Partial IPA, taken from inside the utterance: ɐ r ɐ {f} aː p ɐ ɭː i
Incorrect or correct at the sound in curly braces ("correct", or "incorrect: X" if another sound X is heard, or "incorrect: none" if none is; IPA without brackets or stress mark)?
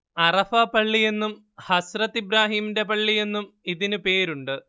correct